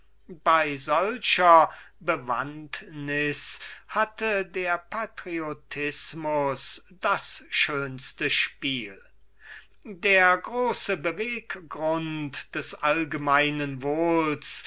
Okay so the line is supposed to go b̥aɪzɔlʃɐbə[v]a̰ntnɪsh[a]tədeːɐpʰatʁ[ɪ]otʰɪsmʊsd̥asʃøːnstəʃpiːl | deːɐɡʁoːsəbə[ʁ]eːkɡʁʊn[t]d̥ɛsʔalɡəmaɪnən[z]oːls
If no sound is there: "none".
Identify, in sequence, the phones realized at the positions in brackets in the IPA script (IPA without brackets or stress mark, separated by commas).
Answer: v, a, i, v, t, v